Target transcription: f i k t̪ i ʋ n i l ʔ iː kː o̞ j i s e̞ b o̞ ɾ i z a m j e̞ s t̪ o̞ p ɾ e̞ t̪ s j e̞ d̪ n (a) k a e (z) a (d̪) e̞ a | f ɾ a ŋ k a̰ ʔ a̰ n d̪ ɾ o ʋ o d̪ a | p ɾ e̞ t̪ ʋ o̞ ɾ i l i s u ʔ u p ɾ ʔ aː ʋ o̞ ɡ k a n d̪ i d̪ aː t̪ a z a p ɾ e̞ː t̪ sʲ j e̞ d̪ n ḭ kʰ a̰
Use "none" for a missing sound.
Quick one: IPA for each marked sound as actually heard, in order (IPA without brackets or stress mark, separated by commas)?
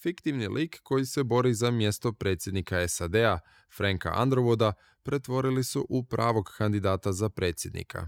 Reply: i, s, d̪